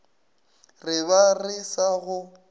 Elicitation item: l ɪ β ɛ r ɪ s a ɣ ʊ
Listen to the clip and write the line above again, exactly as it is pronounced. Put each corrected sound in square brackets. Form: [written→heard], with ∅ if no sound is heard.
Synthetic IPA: [l→r] ɪ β [ɛ→a] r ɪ s a ɣ ʊ